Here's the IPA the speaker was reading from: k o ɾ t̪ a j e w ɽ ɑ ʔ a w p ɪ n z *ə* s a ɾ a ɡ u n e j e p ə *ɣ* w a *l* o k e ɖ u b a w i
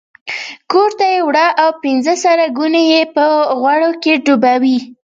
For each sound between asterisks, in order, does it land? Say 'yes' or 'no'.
yes, yes, no

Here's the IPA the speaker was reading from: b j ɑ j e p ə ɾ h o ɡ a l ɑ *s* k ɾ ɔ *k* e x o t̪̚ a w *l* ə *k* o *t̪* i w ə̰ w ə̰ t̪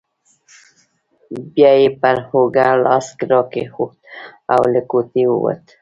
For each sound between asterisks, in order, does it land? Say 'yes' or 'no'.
yes, yes, yes, yes, yes

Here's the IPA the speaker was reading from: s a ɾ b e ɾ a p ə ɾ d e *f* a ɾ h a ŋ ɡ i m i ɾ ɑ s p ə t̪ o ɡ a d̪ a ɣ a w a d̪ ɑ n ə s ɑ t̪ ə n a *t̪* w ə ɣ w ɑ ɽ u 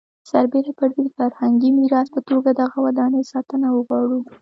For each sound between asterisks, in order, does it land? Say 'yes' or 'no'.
yes, no

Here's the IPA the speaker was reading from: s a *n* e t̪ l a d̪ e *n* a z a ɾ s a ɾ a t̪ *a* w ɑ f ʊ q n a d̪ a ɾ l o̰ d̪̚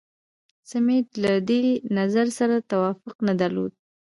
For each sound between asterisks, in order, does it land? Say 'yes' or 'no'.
no, yes, yes

